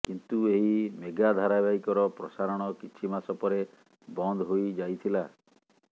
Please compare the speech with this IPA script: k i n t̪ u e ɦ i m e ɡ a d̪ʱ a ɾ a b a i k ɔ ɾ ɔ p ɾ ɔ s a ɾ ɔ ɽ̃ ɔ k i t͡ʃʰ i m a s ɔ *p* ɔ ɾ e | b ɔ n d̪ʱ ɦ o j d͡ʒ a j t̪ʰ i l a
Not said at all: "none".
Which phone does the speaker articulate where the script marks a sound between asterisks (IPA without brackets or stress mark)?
p